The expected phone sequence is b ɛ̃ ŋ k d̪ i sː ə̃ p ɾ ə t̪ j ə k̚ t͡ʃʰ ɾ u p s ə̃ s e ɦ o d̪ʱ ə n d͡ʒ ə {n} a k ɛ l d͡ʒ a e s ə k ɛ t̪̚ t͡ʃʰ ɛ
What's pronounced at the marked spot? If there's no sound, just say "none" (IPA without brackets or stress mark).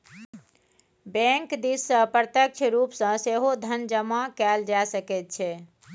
m